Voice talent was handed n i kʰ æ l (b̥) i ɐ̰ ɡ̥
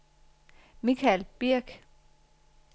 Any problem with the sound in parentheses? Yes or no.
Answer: no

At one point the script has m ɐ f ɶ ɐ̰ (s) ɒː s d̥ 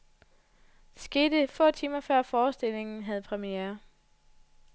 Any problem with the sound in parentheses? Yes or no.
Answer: yes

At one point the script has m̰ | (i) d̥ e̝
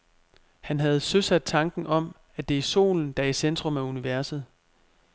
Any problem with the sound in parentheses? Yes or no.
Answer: yes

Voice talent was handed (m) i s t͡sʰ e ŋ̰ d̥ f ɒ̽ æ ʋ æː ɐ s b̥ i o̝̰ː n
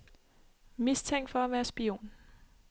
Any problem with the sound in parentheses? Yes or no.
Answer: no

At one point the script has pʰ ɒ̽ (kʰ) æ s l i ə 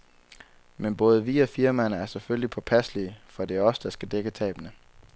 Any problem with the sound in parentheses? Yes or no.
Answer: yes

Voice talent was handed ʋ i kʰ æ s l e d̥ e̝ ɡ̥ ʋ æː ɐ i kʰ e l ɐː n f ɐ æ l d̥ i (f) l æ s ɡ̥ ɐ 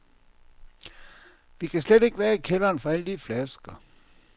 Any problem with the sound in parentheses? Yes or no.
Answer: no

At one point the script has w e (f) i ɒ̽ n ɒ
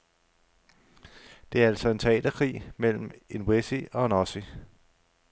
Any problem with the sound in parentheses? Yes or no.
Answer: yes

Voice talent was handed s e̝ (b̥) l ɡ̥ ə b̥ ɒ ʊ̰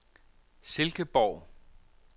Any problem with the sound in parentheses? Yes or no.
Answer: yes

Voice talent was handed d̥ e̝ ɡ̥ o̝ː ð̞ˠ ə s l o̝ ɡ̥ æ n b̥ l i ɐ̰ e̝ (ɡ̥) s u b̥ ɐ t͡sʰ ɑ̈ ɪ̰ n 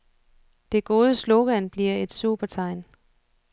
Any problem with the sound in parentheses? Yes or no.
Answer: yes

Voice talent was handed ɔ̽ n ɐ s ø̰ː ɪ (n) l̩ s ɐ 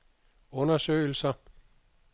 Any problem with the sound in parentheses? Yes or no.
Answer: yes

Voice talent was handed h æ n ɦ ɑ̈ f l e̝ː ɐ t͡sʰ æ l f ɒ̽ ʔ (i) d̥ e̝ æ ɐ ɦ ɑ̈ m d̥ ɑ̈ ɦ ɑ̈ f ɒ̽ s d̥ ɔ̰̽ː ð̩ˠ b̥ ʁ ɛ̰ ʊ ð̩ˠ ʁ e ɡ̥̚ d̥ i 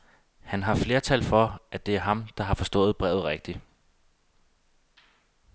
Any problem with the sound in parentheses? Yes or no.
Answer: yes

